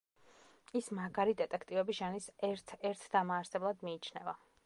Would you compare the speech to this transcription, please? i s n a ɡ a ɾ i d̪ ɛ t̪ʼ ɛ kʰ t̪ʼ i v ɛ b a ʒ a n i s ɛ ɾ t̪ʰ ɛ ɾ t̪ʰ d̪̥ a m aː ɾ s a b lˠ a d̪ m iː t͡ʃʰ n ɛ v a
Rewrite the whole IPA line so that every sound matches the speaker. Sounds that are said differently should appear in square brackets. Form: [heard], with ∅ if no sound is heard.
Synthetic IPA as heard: i s [m] a ɡ a ɾ i d̪ ɛ t̪ʼ ɛ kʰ t̪ʼ i v ɛ b [i] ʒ a n i s ɛ ɾ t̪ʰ ɛ ɾ t̪ʰ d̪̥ a m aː ɾ s [ɛ] b lˠ a d̪ m iː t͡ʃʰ n ɛ v a